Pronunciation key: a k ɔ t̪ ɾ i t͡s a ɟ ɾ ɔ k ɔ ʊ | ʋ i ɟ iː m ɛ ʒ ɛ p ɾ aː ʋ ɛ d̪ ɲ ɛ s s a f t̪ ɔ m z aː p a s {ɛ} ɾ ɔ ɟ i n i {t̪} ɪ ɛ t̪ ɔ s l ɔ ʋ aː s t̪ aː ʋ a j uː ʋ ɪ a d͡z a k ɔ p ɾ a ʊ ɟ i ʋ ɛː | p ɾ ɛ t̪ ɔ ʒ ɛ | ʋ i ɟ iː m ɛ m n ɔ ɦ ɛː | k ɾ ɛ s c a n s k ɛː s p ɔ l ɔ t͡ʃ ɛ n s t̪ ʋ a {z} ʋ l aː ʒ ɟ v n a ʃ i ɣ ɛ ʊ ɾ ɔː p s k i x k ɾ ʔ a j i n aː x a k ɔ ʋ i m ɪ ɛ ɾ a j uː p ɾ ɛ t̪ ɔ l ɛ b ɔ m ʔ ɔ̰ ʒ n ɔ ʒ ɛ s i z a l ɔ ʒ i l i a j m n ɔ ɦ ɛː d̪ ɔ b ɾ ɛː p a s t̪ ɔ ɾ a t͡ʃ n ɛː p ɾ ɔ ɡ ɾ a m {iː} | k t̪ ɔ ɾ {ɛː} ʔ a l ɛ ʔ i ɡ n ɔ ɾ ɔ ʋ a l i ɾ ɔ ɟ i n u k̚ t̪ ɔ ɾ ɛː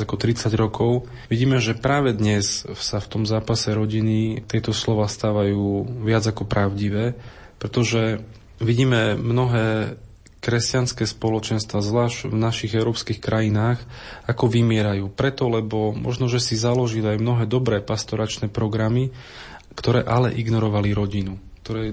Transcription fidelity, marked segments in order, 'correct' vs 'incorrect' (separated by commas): correct, correct, correct, incorrect, correct